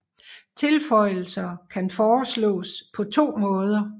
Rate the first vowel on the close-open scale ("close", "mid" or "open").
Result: mid